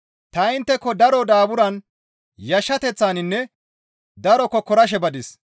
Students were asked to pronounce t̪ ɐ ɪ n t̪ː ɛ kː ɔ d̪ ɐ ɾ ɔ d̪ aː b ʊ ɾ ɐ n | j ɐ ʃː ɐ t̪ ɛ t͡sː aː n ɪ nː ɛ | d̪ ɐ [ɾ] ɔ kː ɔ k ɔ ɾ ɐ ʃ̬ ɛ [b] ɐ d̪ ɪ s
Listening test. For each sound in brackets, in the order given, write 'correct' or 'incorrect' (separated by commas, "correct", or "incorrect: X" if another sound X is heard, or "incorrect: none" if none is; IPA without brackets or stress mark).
correct, correct